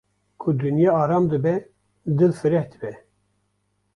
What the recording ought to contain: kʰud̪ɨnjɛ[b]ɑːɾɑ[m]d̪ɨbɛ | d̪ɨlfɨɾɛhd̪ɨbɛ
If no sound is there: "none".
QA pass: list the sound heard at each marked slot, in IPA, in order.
none, m

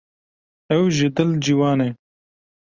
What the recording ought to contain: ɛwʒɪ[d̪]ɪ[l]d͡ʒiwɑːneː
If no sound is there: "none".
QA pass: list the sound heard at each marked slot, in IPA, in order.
d̪, l

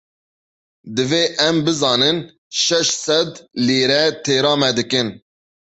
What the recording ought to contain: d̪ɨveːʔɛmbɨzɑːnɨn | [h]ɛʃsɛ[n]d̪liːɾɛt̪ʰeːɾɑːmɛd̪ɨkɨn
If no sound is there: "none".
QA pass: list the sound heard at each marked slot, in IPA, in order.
ʃ, none

